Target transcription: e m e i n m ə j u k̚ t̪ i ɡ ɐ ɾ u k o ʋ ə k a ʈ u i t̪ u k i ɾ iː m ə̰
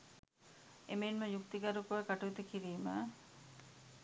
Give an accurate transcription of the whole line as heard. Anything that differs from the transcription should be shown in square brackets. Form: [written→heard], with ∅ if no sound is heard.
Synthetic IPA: e m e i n m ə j u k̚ t̪ i ɡ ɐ ɾ u k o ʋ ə k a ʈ u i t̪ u k i ɾ iː m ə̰